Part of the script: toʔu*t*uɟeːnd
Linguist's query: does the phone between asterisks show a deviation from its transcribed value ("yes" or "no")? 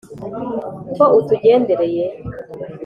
no